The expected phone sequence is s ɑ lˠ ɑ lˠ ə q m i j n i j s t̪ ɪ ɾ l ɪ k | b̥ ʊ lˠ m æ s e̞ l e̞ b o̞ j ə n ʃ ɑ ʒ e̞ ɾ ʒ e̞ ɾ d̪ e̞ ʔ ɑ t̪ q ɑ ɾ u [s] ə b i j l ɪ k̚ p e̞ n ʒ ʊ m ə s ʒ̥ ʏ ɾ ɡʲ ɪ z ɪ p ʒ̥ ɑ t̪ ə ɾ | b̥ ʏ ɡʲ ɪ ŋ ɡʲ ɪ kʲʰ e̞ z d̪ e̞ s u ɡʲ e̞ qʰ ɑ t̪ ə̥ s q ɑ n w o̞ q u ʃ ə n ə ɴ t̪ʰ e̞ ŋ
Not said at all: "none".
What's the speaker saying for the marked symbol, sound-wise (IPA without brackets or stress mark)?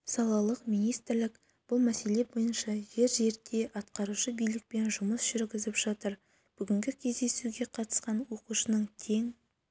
ʃ